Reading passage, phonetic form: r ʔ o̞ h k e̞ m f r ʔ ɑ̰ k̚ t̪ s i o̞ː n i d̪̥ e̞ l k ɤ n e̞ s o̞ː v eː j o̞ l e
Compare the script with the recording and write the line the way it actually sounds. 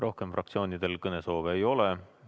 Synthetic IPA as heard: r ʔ o̞ h k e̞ m f r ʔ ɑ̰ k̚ t̪ s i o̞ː n i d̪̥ e̞ l k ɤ n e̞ s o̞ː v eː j o̞ l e